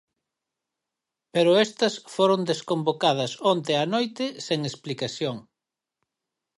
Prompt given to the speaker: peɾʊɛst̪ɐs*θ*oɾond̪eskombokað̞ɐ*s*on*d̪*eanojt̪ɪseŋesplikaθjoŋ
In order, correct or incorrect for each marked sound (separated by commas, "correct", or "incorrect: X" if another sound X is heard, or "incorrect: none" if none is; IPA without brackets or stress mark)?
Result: incorrect: f, correct, incorrect: t̪